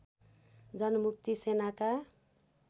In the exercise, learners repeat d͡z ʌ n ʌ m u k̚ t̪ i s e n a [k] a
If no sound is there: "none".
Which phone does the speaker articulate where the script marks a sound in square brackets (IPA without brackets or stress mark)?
k